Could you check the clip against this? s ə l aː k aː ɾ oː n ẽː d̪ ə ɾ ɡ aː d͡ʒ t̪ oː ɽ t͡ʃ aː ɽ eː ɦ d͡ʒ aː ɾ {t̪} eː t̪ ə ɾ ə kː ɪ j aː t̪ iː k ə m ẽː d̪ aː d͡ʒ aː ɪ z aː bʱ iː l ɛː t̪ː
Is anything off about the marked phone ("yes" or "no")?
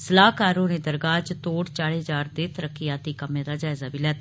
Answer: yes